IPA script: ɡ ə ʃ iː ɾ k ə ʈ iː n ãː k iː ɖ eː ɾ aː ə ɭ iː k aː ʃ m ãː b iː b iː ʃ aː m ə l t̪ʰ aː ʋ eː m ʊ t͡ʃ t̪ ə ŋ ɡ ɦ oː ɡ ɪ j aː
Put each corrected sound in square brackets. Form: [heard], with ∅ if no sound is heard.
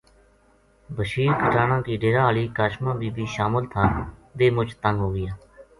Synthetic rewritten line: [b] ə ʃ iː ɾ k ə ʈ [aː] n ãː k iː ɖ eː ɾ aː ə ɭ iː k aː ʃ m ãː b iː b iː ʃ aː m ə l t̪ʰ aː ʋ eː m ʊ t͡ʃ t̪ ə ŋ ɡ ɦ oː ɡ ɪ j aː

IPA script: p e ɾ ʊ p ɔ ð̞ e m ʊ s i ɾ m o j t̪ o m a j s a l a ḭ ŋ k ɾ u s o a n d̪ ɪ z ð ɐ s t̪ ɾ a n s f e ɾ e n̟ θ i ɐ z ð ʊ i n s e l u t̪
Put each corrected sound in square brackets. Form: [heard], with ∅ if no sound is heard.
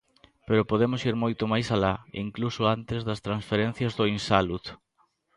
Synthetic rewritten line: p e ɾ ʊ p [o] ð̞ e m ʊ s i ɾ m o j t̪ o m a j s a l a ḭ ŋ k [l] u s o a n [t̪] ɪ z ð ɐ s t̪ ɾ a n s f e ɾ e n̟ θ [j] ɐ z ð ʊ i n s [a] l u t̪

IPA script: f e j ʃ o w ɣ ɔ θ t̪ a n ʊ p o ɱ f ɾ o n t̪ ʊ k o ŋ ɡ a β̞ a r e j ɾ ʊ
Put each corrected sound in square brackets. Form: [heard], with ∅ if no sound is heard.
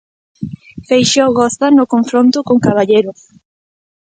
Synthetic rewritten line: f e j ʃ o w ɣ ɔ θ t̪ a n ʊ [k] o ɱ f ɾ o n t̪ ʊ k o ŋ [k] a β̞ a [ʎ] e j ɾ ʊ

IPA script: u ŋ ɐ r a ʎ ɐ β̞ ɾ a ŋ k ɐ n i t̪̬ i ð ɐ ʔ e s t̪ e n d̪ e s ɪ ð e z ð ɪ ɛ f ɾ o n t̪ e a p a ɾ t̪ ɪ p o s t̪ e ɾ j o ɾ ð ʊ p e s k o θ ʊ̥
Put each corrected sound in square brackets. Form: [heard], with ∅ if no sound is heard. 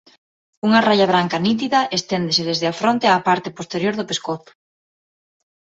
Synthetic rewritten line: u ŋ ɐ r a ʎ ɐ β̞ ɾ a ŋ k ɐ n i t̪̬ i ð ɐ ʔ e s t̪ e n d̪ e s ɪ ð e z ð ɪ [a] f ɾ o n t̪ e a p a ɾ t̪ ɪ p o s t̪ e ɾ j o ɾ ð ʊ p e s k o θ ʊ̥

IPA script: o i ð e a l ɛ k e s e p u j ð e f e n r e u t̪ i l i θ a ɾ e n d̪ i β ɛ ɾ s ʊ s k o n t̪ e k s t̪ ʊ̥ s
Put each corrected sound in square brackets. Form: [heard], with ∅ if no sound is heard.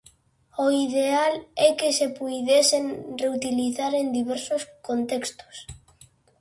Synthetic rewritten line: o i ð e a l ɛ k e s e p u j ð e [s] e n r e u t̪ i l i θ a ɾ e n d̪ i β ɛ ɾ s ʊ s k o n t̪ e k s t̪ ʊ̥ s

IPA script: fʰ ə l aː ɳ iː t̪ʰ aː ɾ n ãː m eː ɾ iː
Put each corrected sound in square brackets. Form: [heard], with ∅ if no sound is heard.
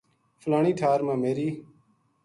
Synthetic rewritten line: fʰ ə l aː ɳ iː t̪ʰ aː ɾ [m] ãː m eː ɾ iː

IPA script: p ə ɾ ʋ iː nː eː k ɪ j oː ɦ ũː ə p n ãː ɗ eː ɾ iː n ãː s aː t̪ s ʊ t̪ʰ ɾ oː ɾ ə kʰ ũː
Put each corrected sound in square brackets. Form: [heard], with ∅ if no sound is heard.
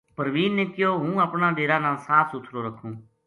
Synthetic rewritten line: p ə ɾ ʋ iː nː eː k ɪ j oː ɦ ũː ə p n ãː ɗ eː ɾ [aː] n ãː s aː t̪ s ʊ t̪ʰ ɾ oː ɾ ə kʰ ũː

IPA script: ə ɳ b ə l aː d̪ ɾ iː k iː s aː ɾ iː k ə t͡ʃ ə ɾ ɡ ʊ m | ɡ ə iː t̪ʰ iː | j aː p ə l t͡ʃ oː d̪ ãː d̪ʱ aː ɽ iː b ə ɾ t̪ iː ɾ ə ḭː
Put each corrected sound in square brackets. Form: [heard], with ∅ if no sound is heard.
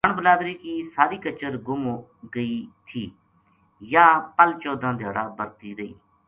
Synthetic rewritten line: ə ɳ b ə l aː d̪ ɾ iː k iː s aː ɾ iː k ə t͡ʃ ə ɾ ɡ ʊ m | ɡ ə iː t̪ʰ iː | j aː p ə l t͡ʃ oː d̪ ãː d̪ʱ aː ɽ [aː] b ə ɾ t̪ iː ɾ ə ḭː

